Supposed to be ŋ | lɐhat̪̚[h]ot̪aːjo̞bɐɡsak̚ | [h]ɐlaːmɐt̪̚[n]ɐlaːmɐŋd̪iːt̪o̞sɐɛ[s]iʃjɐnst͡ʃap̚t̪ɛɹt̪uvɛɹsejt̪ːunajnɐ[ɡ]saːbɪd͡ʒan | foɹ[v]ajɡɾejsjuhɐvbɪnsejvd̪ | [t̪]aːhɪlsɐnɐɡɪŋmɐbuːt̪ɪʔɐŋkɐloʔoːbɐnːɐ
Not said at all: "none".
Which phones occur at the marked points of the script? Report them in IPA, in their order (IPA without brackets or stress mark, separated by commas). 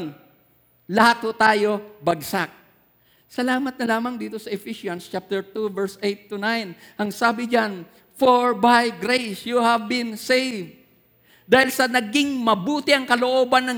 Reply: h, s, n, f, ŋ, b, d̪